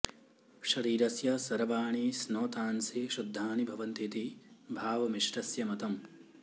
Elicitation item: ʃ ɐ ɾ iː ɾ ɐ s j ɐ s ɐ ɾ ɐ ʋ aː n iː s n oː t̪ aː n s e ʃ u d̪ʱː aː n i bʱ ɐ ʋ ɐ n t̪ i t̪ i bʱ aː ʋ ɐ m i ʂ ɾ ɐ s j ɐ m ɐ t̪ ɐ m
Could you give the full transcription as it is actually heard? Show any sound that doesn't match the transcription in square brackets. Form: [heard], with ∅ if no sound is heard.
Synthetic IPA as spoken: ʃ ɐ ɾ iː ɾ ɐ s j ɐ s ɐ ɾ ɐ ʋ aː [ɳ] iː s n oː t̪ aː n s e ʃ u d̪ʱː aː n i bʱ ɐ ʋ ɐ n t̪ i t̪ i bʱ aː ʋ ɐ m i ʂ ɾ ɐ s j ɐ m ɐ t̪ ɐ m